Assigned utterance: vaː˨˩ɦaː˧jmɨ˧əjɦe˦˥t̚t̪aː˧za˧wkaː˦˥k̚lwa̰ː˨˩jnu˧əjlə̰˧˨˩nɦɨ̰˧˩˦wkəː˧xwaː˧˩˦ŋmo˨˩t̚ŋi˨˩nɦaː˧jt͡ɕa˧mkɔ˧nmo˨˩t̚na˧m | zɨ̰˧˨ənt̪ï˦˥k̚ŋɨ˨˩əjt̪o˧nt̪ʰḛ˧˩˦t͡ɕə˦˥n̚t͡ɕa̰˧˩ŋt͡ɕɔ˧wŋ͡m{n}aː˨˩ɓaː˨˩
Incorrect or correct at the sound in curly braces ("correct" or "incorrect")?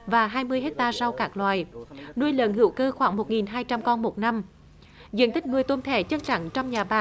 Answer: incorrect